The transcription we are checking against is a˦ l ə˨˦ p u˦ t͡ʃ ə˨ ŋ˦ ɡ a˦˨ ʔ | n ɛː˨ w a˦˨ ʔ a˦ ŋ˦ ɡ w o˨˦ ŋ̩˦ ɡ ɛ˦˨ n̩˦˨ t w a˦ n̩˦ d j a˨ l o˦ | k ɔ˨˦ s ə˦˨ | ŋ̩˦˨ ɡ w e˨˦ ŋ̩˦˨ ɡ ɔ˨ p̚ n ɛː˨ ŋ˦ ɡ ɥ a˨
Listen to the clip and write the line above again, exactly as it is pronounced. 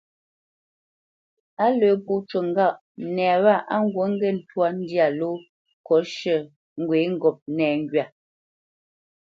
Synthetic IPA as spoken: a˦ l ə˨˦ p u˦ t͡ʃ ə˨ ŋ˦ ɡ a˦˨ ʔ | n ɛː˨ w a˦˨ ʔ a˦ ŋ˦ ɡ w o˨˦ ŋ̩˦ ɡ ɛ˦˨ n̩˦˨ t w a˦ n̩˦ d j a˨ l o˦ | k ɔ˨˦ ʃ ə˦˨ | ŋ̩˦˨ ɡ w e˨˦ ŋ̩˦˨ ɡ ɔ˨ p̚ n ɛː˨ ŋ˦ ɡ ɥ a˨